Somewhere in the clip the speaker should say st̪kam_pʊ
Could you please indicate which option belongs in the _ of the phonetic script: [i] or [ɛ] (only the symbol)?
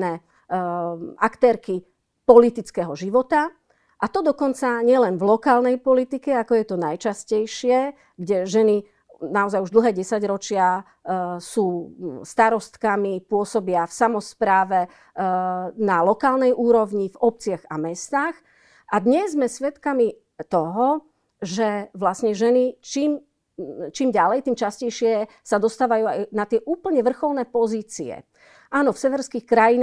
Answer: i